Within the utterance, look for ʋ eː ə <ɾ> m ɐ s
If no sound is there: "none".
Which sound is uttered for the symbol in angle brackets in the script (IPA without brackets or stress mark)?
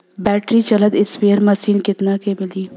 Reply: ɾ